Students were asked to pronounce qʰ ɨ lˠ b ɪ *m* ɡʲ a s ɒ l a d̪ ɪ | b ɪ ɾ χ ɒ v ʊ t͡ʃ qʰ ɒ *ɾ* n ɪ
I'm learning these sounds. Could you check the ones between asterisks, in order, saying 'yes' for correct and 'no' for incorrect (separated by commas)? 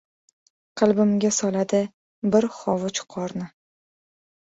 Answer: yes, yes